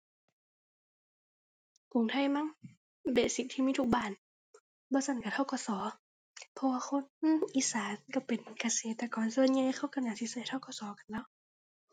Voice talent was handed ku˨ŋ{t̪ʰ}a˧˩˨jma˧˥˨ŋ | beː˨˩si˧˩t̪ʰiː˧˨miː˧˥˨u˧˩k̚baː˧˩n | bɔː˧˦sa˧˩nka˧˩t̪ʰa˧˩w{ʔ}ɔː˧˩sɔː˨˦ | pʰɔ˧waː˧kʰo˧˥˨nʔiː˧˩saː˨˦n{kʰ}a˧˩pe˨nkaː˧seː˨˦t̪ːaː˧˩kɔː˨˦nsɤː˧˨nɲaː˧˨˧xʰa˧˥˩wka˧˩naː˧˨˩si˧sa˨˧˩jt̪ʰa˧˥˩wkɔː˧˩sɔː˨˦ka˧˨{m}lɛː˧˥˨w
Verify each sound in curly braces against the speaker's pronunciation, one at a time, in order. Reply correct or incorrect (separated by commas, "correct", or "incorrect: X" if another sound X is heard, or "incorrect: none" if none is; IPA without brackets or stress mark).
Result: correct, incorrect: k, incorrect: k, incorrect: n